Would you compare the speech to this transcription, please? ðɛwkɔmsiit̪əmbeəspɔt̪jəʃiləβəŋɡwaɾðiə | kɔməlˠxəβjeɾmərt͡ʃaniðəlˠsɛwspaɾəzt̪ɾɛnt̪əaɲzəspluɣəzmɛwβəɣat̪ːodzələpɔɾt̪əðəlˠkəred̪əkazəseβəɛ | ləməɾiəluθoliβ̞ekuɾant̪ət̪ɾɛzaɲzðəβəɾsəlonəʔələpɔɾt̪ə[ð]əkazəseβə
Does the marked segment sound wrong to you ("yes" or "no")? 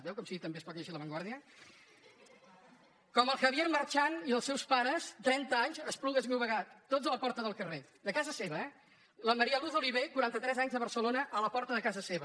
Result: no